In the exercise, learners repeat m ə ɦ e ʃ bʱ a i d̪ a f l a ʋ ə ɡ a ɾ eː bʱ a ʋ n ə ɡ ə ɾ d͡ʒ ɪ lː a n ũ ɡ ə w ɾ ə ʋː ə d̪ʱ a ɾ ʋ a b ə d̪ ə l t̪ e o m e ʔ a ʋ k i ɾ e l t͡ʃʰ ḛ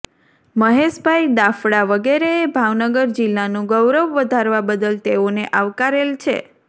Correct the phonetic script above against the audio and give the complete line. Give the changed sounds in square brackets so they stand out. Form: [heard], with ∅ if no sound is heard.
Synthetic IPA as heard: m ə ɦ e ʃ bʱ a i d̪ a f [ɽ] a ʋ ə ɡ [e] ɾ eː bʱ a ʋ n ə ɡ ə ɾ d͡ʒ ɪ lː a n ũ ɡ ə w ɾ ə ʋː ə d̪ʱ a ɾ ʋ a b ə d̪ ə l t̪ e o [n] e ʔ a ʋ k [a] ɾ e l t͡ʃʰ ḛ